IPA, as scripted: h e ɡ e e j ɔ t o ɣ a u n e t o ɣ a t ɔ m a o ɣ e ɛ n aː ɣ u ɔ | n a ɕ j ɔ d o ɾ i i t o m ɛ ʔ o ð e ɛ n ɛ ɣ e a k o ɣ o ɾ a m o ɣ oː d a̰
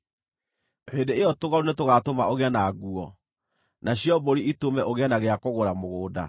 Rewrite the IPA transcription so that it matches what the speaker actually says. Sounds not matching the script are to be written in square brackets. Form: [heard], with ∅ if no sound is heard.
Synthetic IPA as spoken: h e [d] e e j ɔ t o ɣ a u n e t o ɣ a t [o] m a o ɣ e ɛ n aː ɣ u ɔ | n a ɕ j ɔ [b] o ɾ i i t o m ɛ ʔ o [ɣ] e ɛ n [a] ɣ e a k o ɣ o ɾ a m o ɣ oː d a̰